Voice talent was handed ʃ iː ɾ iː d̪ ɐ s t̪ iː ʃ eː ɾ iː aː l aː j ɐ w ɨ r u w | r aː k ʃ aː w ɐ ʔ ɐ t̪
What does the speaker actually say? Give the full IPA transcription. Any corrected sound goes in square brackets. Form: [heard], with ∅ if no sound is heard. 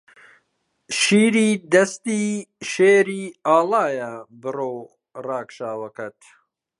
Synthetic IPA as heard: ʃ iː ɾ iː d̪ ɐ s t̪ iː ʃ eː ɾ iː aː l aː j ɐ [b] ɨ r [o] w | r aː k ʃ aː w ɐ [k] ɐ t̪